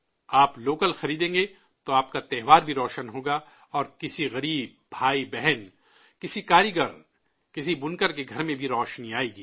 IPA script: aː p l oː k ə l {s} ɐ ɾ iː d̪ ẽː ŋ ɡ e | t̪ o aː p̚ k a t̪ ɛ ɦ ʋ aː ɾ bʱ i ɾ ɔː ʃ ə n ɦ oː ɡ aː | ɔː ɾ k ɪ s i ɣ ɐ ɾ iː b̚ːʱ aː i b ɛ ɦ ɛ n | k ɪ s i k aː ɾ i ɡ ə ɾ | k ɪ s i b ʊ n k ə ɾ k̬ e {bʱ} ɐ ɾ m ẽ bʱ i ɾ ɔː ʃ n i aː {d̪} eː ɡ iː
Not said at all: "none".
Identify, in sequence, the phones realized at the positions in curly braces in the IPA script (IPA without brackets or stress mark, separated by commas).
x, ɡʱ, none